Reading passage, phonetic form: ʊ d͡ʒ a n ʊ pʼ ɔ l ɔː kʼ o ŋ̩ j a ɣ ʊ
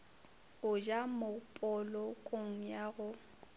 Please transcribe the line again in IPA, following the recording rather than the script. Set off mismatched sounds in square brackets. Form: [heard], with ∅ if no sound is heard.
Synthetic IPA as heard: ʊ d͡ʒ a [m] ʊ pʼ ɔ l [ɔ] kʼ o ŋ̩ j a ɣ ʊ